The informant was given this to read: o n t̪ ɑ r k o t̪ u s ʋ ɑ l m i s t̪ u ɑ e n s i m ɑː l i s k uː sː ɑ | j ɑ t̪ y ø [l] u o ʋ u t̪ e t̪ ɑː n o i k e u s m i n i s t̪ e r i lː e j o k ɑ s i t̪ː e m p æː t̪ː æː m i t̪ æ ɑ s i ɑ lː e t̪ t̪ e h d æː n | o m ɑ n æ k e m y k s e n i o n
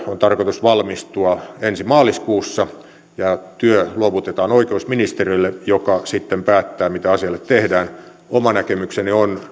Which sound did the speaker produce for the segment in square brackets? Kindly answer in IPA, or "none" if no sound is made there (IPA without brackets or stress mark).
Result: l